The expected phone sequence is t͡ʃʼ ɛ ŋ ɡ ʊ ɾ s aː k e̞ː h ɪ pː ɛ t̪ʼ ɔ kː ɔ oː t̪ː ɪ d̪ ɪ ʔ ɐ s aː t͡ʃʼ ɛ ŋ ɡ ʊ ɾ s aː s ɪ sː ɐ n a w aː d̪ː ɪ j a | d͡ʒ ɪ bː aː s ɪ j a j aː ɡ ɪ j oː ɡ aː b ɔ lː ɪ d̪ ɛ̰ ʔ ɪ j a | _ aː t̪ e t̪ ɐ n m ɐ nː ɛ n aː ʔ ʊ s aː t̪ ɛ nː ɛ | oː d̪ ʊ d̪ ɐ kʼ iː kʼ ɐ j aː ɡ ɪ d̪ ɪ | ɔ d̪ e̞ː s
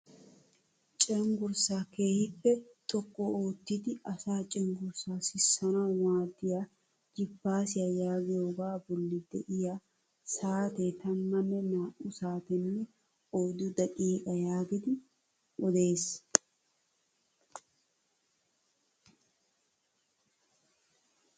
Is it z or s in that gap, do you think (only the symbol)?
s